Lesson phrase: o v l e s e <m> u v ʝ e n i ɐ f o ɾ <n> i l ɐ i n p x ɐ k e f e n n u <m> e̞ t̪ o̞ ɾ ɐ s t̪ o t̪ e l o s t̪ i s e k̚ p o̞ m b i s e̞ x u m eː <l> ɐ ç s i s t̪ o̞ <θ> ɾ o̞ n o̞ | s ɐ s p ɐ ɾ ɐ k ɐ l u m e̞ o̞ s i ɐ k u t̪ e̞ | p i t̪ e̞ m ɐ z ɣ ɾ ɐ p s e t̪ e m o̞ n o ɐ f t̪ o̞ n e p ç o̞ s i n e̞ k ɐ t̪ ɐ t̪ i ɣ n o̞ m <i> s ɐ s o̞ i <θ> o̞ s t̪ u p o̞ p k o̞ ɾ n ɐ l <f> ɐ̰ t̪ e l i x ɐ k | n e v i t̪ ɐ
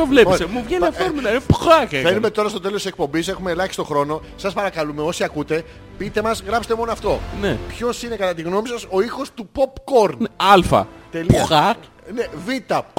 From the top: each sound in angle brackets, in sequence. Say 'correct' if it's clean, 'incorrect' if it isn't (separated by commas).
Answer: correct, incorrect, correct, correct, incorrect, correct, incorrect, correct